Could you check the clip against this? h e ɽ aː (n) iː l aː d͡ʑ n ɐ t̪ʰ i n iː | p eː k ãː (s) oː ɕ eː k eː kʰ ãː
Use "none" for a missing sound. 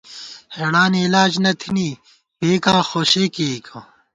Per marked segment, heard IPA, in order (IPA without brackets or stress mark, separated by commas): n, x